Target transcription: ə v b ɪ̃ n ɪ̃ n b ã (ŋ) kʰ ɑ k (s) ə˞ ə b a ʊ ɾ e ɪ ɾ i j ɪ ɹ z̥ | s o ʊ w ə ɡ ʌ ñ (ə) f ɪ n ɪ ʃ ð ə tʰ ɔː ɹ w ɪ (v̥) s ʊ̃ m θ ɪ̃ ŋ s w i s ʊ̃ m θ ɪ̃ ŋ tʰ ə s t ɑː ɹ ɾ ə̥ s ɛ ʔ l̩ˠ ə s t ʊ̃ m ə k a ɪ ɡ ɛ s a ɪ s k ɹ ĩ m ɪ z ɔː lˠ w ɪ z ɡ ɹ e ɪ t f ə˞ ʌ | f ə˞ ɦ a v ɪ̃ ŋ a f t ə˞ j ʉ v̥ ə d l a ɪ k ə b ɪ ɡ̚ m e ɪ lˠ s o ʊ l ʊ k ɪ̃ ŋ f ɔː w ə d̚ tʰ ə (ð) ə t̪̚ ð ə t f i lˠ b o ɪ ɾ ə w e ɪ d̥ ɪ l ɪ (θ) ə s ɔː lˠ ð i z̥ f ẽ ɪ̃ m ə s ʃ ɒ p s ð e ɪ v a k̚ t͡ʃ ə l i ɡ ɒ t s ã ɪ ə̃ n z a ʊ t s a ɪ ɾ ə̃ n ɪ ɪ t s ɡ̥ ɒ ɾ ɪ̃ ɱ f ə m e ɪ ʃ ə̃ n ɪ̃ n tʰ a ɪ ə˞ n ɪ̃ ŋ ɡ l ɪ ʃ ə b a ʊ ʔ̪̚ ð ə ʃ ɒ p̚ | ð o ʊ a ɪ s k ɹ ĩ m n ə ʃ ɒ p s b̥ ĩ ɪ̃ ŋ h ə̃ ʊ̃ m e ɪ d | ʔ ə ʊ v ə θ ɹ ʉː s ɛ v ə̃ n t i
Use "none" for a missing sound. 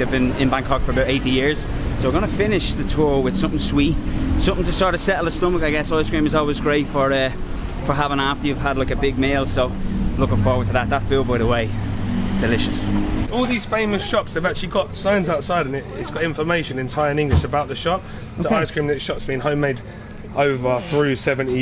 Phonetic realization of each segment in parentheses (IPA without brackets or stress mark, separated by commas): ŋ, f, ə, ð̥, ð, ʃ